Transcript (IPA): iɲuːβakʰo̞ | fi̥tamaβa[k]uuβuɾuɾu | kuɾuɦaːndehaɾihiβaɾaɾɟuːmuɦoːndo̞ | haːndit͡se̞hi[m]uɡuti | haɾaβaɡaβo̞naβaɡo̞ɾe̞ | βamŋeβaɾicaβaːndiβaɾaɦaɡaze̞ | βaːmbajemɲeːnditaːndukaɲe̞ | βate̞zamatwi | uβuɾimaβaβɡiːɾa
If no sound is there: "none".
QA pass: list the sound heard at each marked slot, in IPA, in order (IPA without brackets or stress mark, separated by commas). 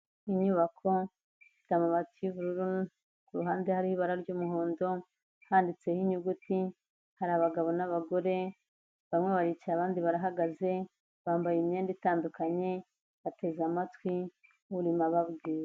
t, ɲ